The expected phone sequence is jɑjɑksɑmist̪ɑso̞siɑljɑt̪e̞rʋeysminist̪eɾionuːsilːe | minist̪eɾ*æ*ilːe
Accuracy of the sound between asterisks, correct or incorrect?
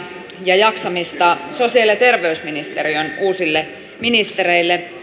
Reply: incorrect: e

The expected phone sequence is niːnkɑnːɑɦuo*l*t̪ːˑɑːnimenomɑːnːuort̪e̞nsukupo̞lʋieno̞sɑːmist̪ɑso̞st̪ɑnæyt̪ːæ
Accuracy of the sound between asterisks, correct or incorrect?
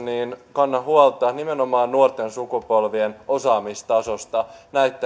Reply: correct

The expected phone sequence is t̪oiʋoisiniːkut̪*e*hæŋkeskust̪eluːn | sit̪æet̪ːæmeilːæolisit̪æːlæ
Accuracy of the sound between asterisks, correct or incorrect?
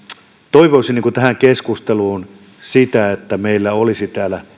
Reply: incorrect: æ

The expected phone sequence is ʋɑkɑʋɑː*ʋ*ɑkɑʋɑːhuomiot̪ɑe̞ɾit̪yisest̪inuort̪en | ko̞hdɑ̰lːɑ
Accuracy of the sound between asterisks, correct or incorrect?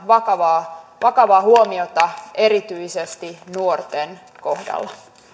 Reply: correct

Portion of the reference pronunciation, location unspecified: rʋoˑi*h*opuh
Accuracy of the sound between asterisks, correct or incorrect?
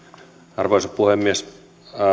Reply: incorrect: s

